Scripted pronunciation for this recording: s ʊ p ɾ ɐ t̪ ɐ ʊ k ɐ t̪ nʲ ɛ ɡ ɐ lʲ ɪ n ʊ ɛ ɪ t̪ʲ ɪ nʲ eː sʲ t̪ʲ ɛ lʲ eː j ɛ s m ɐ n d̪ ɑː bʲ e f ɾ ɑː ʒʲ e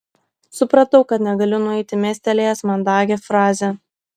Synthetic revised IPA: s ʊ p ɾ ɐ t̪ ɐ ʊ k ɐ t̪ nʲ ɛ ɡ ɐ lʲ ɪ n ʊ ɛ ɪ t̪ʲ ɪ mʲ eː sʲ t̪ʲ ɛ lʲ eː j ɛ s m ɐ n d̪ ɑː ɡʲ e f ɾ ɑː zʲ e